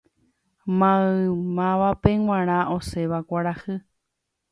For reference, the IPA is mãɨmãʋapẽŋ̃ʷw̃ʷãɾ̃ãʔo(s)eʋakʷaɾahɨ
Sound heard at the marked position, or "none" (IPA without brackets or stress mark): s